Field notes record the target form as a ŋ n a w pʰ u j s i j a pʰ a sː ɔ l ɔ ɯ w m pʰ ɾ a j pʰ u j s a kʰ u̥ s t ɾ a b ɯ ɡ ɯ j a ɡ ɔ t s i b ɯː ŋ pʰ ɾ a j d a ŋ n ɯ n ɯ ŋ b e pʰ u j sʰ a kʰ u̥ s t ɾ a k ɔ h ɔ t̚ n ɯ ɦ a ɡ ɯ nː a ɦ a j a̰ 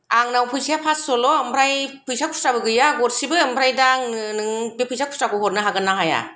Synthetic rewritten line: a ŋ n a w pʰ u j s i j a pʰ a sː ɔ l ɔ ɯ m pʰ ɾ a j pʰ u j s a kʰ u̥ s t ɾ a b ɯ ɡ ɯ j a ɡ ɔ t s i b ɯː m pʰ ɾ a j d a ŋ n ɯ n ɯ ŋ b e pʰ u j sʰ a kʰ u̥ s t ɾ a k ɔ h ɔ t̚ n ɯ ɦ a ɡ ɯ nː a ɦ a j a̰